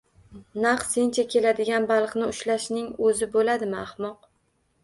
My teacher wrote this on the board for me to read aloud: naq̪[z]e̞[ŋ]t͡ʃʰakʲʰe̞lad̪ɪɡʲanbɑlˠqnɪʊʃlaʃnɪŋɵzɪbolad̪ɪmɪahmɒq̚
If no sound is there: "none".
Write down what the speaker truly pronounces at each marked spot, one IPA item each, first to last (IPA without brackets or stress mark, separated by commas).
s, n